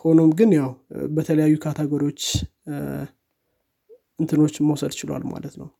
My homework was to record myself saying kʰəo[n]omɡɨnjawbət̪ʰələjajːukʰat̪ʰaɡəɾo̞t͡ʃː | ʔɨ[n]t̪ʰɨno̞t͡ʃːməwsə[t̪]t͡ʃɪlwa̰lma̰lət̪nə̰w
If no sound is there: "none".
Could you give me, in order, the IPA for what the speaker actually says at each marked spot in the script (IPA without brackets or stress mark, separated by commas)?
n, n, d̪